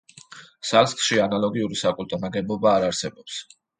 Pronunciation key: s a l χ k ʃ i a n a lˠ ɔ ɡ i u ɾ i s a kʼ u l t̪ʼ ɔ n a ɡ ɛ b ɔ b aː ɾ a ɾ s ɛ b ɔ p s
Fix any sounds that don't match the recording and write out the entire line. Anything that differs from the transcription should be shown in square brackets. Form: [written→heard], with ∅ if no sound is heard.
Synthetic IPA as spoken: s a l [χ→s] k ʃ i a n a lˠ ɔ ɡ i u ɾ i s a kʼ u l t̪ʼ ɔ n a ɡ ɛ b ɔ b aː ɾ a ɾ s ɛ b ɔ p s